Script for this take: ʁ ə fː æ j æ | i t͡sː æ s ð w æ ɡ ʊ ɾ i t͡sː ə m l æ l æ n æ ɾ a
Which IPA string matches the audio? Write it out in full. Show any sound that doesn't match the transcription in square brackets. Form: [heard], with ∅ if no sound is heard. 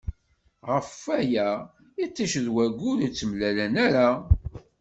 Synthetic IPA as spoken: ʁ ə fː æ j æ | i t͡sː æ [ʃ] ð w æ ɡ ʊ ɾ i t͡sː ə m l æ l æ n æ ɾ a